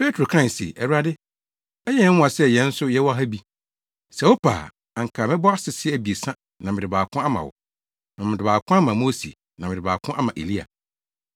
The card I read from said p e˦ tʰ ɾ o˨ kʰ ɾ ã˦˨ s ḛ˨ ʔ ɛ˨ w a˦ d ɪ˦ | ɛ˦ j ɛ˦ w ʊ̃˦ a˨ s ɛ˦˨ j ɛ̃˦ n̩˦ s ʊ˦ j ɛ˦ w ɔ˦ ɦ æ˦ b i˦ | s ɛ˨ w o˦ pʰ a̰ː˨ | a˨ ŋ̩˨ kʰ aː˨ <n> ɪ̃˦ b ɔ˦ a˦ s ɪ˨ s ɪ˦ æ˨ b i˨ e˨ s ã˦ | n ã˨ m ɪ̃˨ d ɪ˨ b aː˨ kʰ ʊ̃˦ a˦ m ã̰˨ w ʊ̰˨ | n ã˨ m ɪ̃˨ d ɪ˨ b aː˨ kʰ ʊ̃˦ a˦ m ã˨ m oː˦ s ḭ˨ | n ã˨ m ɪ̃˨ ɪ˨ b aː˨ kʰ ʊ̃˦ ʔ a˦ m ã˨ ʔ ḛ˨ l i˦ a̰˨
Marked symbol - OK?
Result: no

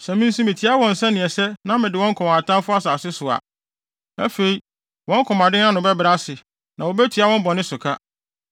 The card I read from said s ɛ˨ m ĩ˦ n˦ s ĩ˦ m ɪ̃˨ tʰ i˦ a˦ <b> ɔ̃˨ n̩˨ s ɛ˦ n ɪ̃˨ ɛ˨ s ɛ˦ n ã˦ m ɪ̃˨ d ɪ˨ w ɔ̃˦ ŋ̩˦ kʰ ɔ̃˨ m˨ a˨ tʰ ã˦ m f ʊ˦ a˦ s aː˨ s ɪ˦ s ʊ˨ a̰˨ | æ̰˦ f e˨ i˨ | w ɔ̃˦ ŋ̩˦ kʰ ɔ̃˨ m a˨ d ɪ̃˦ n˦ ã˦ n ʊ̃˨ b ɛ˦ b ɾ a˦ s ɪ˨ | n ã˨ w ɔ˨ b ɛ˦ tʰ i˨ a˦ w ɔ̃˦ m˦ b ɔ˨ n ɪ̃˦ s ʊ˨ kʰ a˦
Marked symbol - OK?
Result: no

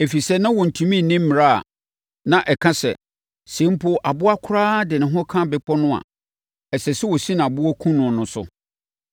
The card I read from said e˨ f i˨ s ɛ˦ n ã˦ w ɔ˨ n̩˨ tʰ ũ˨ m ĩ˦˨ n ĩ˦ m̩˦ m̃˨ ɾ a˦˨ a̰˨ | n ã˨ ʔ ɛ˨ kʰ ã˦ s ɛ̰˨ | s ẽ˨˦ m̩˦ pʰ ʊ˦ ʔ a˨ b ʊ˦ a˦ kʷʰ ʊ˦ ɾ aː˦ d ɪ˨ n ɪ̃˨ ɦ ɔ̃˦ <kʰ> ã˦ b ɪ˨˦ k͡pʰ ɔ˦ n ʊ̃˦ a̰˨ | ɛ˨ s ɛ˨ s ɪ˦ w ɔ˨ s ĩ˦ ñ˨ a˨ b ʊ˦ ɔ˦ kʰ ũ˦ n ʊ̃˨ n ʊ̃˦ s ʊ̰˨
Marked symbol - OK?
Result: yes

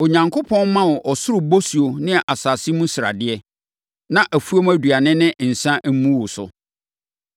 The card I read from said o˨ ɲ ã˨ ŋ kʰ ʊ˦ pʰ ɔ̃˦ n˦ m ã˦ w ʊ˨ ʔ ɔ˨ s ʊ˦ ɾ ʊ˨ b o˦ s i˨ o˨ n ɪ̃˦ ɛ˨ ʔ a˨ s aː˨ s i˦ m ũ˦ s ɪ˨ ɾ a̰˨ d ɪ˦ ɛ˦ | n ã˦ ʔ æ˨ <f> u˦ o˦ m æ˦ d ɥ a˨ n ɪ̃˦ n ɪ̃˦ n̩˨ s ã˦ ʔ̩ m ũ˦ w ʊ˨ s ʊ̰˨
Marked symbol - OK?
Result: yes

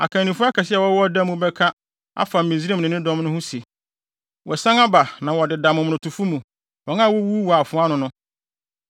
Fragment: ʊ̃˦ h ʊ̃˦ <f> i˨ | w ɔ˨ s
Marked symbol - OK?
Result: no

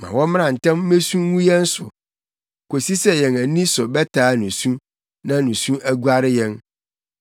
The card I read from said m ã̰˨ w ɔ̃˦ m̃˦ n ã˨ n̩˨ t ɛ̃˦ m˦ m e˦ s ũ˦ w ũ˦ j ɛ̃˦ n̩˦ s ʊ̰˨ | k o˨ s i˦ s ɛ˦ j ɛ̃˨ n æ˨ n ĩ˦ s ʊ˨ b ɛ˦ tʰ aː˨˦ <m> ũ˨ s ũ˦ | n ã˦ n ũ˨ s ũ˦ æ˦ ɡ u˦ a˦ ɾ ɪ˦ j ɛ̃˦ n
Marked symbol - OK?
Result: no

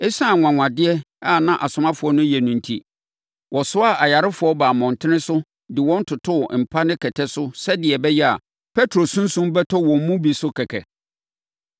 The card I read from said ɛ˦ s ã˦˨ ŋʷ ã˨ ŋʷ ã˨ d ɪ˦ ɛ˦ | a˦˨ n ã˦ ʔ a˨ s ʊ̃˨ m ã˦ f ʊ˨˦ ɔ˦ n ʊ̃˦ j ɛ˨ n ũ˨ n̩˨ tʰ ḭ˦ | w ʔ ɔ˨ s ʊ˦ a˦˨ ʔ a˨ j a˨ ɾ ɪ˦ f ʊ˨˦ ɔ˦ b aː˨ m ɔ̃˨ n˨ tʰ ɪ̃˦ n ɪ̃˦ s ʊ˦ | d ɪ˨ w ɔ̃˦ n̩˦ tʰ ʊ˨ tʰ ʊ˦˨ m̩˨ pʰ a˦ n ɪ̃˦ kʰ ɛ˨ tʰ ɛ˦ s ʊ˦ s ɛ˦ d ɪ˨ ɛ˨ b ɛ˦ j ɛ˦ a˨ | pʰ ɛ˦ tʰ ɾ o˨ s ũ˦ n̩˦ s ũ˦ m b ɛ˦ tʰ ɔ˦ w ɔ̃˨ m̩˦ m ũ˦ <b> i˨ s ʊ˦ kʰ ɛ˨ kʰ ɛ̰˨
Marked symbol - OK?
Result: yes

